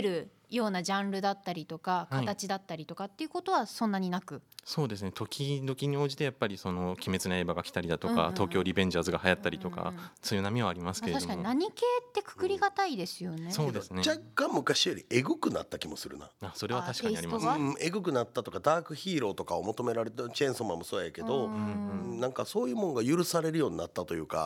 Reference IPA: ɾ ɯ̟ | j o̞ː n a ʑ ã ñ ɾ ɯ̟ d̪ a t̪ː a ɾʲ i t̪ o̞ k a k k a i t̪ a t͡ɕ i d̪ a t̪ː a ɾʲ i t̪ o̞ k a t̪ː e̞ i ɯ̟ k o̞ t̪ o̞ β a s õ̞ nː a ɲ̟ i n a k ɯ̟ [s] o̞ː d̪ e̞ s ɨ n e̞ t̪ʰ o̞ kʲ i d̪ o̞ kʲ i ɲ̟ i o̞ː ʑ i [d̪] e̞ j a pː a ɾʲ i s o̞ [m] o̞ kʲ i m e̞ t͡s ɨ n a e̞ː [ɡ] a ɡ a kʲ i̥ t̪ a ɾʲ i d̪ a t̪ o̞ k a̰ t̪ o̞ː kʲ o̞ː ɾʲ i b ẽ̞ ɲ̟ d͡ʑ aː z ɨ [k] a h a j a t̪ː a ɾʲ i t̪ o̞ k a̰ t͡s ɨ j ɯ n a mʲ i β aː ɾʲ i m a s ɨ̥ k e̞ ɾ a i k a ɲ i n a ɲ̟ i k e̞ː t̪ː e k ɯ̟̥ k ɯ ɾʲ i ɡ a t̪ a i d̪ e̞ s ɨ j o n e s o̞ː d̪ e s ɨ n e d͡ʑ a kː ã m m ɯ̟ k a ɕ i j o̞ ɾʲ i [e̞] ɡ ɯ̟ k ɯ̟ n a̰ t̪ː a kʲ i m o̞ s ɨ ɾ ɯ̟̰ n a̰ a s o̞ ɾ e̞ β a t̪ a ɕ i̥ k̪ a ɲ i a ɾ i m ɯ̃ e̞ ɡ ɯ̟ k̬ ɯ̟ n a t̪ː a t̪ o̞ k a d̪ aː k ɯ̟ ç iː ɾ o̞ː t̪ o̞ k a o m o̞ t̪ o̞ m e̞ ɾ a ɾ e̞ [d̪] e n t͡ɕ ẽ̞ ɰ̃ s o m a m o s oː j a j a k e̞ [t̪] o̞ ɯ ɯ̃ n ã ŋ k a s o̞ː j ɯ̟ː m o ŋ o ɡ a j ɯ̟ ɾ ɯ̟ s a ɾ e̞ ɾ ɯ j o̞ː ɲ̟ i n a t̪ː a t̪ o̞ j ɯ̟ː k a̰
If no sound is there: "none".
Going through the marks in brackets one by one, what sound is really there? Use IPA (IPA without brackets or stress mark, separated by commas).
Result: s, t̪, n, b, ɡ, e̞, t̪, d̪